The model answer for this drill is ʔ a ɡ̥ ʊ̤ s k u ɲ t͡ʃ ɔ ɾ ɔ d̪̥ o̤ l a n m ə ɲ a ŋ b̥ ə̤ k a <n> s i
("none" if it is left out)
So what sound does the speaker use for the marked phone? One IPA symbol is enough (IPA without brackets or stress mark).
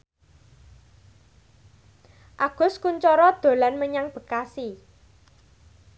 none